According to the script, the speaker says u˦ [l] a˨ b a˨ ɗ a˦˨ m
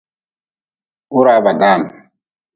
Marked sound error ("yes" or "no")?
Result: yes